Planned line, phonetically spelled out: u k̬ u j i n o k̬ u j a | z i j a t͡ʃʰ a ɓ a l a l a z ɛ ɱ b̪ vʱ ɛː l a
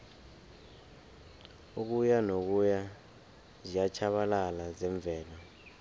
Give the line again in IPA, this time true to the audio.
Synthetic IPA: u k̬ u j a n o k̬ u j a | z i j a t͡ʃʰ a ɓ a l a l a z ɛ ɱ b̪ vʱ ɛː l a